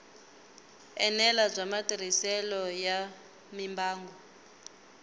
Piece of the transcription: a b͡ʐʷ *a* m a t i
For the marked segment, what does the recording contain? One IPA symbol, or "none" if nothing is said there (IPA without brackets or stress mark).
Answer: a